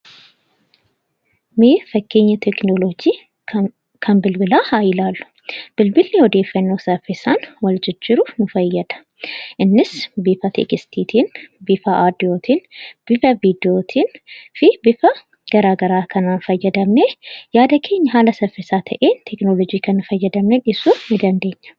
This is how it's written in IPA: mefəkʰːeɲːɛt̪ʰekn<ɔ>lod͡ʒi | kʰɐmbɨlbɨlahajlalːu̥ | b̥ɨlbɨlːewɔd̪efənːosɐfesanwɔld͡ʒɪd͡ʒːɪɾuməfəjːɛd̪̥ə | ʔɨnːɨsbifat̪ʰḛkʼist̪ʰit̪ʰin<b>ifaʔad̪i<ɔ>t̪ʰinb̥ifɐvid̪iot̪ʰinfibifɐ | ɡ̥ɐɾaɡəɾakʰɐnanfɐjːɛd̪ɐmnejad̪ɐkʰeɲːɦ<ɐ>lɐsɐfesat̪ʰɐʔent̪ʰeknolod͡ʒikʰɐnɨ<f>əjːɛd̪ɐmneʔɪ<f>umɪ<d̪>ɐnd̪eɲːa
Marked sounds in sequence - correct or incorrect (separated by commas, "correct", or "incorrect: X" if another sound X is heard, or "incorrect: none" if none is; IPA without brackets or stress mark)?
incorrect: o, correct, incorrect: o, incorrect: a, correct, incorrect: s, correct